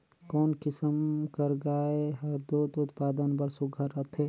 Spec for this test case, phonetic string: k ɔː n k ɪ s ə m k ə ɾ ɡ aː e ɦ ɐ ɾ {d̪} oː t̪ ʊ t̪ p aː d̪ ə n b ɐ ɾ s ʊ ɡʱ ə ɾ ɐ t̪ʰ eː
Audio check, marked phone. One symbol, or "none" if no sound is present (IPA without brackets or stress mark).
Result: d̪